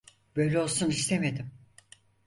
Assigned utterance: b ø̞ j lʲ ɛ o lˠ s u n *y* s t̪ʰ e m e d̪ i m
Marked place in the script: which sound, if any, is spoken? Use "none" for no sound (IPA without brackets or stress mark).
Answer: i